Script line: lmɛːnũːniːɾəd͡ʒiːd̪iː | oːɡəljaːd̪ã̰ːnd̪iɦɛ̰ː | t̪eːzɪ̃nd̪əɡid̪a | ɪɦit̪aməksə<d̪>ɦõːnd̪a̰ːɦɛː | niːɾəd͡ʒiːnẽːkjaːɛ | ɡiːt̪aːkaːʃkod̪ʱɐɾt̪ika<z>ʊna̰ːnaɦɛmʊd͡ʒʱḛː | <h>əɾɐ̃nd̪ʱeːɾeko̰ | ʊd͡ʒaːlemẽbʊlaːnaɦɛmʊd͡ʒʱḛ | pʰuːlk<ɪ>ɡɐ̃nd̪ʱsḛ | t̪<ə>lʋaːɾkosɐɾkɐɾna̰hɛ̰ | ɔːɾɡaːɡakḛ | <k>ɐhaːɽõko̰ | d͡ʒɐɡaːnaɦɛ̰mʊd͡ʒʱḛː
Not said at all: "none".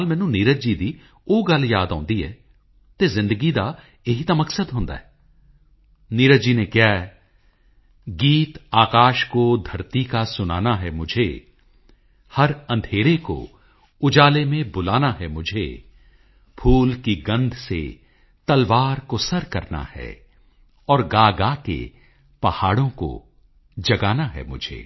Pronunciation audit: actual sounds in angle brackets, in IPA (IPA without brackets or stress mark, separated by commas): d̪, s, h, i, ɐ, p